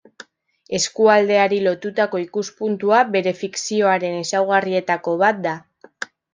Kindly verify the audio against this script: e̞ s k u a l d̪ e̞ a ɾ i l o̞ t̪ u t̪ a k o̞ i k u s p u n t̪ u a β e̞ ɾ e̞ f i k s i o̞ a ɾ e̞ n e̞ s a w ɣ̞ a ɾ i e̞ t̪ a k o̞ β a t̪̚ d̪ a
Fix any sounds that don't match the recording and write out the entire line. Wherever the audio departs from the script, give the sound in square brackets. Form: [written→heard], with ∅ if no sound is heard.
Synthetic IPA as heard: e̞ s k u a l d̪ e̞ a ɾ i l o̞ t̪ u t̪ a k o̞ i k u s p u n t̪ u a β e̞ ɾ e̞ f i k s i o̞ a ɾ e̞ n e̞ s a w ɣ̞ a [ɾ→r] i e̞ t̪ a k o̞ β a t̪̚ d̪ a